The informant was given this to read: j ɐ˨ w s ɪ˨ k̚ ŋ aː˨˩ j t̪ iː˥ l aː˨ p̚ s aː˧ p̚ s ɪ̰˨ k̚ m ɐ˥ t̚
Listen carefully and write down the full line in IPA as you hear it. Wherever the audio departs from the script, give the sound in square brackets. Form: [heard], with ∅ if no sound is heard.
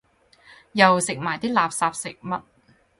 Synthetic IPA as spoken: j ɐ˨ w s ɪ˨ k̚ [m] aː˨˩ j t̪ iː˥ l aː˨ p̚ s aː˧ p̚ s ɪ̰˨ k̚ m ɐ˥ t̚